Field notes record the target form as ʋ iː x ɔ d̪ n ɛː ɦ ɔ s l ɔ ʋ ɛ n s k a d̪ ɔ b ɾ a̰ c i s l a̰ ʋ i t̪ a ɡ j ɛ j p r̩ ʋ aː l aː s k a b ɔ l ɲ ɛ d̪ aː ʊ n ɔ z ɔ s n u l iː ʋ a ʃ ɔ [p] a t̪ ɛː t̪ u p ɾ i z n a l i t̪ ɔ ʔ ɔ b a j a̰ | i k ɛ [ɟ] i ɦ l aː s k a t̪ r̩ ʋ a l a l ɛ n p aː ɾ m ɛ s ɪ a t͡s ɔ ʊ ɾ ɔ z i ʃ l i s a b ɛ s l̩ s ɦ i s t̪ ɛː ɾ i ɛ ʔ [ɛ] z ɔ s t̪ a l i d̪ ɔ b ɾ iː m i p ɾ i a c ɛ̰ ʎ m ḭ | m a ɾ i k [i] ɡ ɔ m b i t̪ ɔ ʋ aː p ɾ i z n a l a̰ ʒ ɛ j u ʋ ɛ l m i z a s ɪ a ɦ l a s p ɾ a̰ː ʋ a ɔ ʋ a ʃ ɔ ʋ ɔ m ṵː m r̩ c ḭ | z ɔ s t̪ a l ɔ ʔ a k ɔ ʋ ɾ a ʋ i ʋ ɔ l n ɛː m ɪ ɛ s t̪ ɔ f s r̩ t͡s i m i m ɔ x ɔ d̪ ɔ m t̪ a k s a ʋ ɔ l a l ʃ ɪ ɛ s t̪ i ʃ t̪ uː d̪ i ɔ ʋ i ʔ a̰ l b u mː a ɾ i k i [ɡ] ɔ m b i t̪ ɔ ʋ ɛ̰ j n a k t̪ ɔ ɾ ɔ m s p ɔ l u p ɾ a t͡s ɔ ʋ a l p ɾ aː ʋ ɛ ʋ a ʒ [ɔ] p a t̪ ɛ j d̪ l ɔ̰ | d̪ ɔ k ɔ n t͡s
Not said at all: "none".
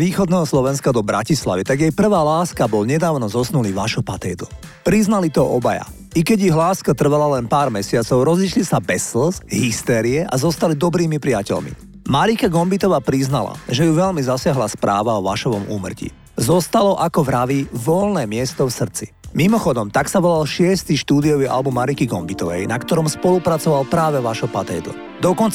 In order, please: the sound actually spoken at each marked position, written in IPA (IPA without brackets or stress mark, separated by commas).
p, ɟ, a, a, ɡ, ɔ